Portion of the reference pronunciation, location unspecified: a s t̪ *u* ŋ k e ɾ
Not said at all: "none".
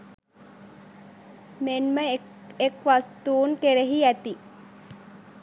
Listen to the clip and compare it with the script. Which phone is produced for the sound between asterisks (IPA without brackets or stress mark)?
uː